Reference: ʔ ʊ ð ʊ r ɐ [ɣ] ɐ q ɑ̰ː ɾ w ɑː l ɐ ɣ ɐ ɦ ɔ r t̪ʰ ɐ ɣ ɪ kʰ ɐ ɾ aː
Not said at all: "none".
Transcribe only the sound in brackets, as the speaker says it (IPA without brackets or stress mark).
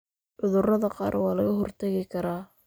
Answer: ð